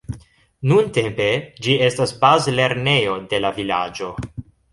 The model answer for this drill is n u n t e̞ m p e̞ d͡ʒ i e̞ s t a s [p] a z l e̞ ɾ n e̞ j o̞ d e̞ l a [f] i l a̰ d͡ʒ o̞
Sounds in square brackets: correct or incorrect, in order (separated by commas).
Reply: incorrect, incorrect